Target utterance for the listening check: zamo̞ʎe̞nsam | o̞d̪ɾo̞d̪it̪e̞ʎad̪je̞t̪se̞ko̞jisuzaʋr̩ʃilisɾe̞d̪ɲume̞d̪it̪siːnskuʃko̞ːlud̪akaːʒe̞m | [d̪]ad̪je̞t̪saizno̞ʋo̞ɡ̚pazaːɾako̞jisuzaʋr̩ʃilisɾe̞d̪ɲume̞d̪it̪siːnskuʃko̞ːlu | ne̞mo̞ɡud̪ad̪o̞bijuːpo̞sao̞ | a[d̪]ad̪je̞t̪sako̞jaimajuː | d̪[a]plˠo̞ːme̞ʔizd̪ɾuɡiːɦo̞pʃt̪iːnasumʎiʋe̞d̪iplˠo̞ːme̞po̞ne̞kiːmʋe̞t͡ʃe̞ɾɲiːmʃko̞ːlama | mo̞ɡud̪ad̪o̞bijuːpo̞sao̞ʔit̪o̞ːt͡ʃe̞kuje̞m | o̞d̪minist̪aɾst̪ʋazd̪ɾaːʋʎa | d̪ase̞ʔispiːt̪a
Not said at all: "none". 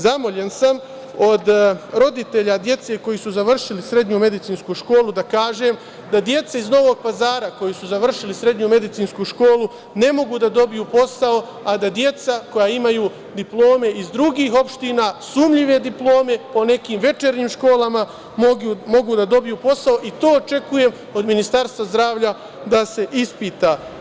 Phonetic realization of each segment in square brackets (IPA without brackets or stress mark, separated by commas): d̪, d̪, i